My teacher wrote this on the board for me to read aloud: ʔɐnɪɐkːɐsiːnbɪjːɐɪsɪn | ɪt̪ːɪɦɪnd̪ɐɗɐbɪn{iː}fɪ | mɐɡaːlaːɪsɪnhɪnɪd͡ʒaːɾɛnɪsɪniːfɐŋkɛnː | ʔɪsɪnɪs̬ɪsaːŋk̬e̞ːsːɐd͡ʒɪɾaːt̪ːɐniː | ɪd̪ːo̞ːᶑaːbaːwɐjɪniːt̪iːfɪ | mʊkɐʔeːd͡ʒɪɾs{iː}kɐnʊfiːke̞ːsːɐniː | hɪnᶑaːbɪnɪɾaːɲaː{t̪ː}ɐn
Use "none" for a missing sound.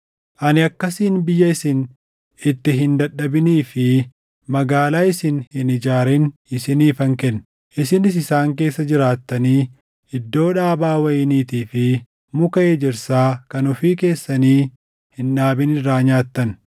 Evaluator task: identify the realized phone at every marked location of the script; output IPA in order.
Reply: iː, aː, t̪ː

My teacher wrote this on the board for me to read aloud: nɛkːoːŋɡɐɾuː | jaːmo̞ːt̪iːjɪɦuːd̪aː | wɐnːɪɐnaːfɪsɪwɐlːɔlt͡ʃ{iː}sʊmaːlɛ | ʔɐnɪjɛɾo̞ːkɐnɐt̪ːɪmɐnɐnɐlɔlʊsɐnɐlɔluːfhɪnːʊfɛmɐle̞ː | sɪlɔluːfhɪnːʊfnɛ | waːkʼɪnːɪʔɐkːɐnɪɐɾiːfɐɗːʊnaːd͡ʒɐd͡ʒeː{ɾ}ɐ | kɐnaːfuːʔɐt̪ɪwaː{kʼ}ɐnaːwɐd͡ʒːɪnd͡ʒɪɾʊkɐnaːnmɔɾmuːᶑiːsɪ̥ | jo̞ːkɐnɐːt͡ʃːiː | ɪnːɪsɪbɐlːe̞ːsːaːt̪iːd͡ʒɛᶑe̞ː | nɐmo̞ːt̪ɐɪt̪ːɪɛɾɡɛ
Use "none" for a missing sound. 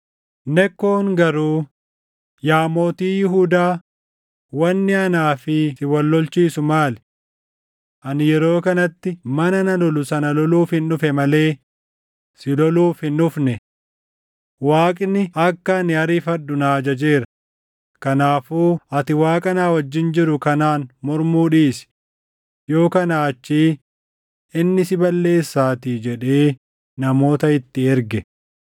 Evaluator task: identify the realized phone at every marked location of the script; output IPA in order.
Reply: iː, ɾ, kʼ

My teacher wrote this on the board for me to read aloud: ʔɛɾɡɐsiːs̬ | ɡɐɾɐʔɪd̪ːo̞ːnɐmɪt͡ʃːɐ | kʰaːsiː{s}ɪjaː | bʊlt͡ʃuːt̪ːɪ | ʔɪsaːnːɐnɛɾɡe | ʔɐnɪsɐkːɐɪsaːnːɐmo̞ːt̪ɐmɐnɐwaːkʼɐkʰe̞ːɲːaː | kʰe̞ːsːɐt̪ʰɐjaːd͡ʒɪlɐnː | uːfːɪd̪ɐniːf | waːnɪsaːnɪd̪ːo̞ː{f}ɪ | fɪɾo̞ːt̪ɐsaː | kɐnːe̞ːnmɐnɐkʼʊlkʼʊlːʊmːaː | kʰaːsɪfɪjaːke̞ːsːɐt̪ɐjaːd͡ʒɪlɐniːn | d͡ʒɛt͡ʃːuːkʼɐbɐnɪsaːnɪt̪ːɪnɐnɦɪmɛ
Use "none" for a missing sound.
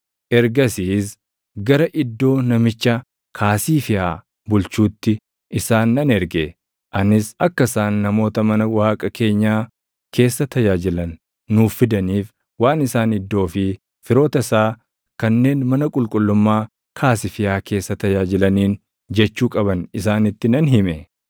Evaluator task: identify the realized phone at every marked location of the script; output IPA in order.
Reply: f, f

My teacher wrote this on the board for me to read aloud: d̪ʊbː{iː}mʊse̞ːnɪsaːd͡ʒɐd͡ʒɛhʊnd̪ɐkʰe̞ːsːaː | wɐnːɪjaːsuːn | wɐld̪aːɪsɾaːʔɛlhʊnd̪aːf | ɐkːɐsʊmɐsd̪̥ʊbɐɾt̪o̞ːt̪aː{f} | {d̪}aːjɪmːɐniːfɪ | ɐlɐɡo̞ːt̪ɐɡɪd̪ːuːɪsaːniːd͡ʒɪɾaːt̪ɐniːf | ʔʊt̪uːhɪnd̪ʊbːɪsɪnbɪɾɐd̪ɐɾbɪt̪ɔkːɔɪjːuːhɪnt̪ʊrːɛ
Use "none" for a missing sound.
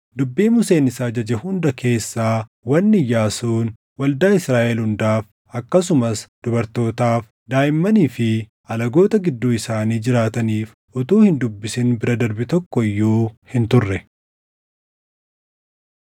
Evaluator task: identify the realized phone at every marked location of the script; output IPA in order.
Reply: iː, f, d̪

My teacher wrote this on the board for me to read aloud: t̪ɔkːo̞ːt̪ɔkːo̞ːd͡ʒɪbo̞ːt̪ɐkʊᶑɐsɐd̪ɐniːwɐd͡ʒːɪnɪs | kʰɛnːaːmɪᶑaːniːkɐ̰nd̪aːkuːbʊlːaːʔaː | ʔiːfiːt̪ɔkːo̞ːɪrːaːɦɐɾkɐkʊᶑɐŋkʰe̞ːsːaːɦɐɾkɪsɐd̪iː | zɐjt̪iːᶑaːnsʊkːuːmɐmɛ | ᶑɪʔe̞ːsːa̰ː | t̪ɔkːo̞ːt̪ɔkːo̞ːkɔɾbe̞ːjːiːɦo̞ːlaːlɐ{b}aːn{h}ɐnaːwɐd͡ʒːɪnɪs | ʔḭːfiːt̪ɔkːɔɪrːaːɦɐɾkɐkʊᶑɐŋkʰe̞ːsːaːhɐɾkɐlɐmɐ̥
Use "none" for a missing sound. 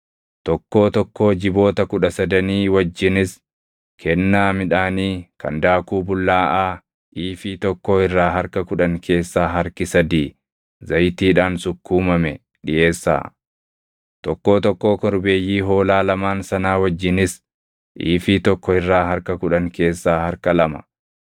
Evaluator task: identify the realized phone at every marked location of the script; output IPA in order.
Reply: m, s

